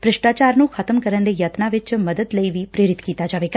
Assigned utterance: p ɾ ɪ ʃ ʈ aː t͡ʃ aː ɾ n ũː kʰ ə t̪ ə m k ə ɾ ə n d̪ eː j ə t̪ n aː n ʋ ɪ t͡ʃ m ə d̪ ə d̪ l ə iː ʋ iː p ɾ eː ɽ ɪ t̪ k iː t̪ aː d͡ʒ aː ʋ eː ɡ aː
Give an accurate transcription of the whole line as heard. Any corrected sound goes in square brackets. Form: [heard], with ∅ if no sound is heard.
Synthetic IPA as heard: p ɾ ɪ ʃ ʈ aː t͡ʃ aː ɾ n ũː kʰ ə t̪ ə m k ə ɾ ə n d̪ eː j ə t̪ n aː [∅] ʋ ɪ t͡ʃ m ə d̪ ə d̪ l ə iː ʋ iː p ɾ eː [ɾ] ɪ t̪ k iː t̪ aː d͡ʒ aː ʋ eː ɡ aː